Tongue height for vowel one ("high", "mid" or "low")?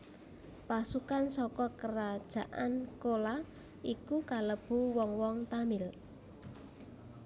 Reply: low